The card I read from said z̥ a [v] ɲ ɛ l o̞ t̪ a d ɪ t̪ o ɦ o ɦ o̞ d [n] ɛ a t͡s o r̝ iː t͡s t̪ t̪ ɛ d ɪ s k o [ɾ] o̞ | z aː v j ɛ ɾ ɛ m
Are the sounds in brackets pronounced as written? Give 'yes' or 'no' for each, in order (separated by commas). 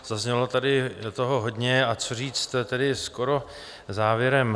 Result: no, no, yes